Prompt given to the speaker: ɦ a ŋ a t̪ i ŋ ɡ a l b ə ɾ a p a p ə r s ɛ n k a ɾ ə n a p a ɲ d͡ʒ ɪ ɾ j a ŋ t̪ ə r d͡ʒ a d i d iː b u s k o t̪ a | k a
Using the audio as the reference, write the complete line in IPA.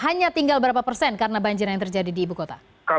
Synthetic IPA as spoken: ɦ a ɲ a t̪ i ŋ ɡ a l b ə ɾ a p a p ə r s ɛ n k a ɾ ə n a b a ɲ d͡ʒ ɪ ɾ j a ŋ t̪ ə r d͡ʒ a d i d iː b u k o t̪ a | k a